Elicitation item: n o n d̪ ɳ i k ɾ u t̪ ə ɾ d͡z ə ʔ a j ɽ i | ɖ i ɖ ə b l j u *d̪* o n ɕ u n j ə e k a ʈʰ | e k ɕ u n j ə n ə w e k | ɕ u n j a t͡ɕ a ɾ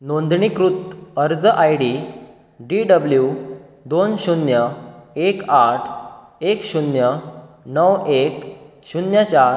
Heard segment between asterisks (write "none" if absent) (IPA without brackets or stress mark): d̪